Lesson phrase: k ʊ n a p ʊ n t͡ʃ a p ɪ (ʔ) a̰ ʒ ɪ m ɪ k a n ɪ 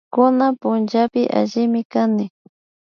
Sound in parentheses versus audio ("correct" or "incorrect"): correct